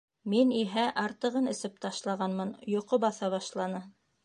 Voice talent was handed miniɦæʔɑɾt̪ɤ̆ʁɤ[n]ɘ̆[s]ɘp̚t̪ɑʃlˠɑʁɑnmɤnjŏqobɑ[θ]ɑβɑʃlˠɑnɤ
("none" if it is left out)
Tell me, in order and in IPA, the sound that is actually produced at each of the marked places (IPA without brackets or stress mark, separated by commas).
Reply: n, s, θ